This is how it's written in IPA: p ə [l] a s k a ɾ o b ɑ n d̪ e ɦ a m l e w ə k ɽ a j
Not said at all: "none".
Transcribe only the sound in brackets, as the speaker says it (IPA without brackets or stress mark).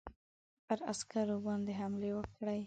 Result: ɾ